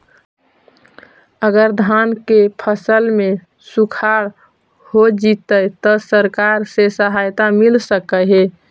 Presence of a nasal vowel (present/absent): absent